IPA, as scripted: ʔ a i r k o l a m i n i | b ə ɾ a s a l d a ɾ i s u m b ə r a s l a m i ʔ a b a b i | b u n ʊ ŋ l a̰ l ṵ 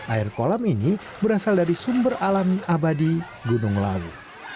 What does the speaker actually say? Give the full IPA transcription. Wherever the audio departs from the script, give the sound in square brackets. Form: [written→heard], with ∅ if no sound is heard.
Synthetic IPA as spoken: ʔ a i r k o l a m i n i | b ə ɾ a s a l d a ɾ i s u m b ə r a [s→∅] l a m i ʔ a b a [b→d] i | [b→ɡ] u n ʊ ŋ l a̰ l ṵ